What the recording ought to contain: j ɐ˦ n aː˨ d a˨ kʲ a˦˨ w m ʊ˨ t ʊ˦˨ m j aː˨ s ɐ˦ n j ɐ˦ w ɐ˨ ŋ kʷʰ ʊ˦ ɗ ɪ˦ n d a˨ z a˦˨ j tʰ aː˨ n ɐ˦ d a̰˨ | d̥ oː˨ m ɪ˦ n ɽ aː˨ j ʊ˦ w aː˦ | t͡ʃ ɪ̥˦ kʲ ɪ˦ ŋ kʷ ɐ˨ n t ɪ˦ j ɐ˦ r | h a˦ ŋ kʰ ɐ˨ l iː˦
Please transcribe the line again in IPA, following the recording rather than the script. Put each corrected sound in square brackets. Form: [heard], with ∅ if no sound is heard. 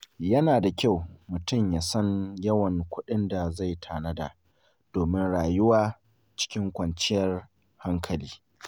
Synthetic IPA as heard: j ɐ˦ n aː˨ d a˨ kʲ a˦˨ w m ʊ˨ t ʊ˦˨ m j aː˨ s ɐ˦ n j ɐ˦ w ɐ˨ ŋ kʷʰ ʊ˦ ɗ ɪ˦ n d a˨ z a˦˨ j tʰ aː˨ n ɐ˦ d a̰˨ | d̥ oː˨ m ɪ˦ n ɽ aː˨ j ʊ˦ w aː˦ | t͡ʃ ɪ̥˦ kʲ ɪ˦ ŋ kʷ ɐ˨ n [t͡ʃ] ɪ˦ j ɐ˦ r | h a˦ ŋ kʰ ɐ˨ l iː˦